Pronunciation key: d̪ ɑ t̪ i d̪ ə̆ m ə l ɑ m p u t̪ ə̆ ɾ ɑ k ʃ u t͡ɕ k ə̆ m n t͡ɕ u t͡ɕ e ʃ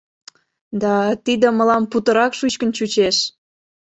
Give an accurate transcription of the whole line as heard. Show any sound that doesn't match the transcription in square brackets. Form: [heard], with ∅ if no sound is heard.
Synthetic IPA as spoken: d̪ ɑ t̪ i d̪ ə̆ m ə l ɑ m p u t̪ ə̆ ɾ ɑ k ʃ u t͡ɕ k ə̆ [∅] n t͡ɕ u t͡ɕ e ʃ